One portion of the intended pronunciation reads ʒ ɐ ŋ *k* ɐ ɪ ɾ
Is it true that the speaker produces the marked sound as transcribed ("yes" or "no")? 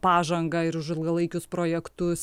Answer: no